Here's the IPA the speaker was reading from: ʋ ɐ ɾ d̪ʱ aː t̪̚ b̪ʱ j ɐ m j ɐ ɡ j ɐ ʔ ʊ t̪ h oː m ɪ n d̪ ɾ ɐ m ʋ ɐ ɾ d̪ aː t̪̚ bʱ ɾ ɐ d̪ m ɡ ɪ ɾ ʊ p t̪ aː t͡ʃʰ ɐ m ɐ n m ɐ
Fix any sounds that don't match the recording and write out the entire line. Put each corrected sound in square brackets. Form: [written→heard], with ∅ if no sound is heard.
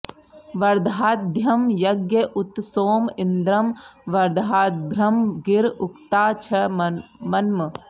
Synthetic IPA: ʋ ɐ ɾ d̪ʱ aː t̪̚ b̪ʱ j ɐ m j ɐ ɡ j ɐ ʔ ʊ t̪ [h→s] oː m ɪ n d̪ ɾ ɐ m ʋ ɐ ɾ d̪ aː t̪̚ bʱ ɾ ɐ [d̪→∅] m ɡ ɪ ɾ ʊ [p→k] t̪ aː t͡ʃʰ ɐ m ɐ n m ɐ